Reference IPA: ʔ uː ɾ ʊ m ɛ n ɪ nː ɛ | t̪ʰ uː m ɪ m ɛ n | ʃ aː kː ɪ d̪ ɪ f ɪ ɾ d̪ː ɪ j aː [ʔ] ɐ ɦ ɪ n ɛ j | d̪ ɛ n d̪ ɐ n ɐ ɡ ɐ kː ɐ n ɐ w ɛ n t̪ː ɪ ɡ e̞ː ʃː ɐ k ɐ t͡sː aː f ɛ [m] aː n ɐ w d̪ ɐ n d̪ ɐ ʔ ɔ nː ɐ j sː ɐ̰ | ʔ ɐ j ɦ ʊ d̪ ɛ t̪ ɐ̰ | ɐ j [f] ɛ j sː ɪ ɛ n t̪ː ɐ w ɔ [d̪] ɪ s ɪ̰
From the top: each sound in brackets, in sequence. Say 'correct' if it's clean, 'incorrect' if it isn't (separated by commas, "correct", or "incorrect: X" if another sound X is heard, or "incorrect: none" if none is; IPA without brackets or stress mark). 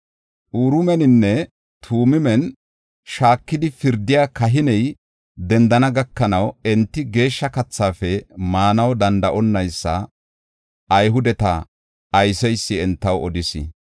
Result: incorrect: k, correct, incorrect: s, correct